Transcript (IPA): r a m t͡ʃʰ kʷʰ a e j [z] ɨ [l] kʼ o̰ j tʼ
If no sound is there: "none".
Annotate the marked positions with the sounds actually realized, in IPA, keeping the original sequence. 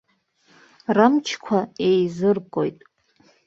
z, r

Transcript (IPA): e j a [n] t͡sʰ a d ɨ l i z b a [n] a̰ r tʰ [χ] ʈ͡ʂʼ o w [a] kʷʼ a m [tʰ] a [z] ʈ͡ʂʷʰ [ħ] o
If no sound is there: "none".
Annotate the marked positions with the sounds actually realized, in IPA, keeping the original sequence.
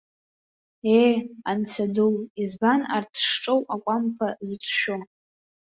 n, n, ʂ, a, pʰ, z, ʃ

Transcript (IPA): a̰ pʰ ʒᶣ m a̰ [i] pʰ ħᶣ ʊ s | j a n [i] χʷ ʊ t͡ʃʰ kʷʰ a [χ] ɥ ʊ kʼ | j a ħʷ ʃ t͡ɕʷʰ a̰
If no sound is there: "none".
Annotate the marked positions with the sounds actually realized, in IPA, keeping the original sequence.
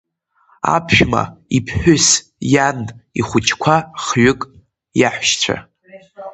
i, i, χ

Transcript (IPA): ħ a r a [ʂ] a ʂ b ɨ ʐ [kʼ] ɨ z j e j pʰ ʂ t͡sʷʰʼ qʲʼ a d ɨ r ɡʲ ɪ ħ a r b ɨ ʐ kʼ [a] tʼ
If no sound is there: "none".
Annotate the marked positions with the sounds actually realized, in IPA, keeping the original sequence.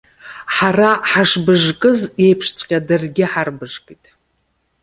ħ, kʼ, i

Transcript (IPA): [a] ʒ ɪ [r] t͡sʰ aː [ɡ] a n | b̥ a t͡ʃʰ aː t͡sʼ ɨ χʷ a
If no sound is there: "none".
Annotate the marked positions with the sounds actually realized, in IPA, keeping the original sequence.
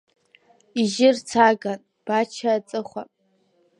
i, r, ɡ

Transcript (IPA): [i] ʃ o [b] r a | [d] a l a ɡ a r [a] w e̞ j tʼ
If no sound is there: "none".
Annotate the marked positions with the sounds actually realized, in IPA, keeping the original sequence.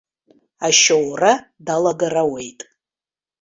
a, w, d, a

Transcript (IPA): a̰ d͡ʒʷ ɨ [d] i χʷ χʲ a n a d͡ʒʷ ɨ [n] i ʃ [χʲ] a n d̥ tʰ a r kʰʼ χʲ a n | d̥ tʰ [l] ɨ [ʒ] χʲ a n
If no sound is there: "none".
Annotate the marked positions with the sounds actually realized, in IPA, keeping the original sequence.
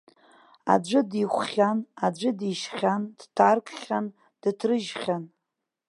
d, d, χʲ, r, ʒ

